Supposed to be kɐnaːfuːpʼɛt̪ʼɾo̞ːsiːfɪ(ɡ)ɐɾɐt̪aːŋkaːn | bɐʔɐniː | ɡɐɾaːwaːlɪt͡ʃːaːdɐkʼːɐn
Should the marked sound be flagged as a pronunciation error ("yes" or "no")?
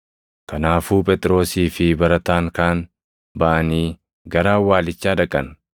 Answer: yes